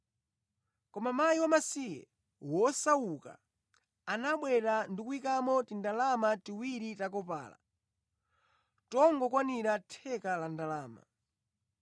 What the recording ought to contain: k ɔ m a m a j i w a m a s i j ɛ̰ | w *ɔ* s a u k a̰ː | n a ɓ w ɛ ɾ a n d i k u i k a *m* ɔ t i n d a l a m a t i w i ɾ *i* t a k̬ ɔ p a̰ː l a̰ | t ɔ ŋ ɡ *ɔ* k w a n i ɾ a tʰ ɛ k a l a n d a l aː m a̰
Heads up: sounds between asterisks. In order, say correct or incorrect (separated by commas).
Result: correct, correct, correct, correct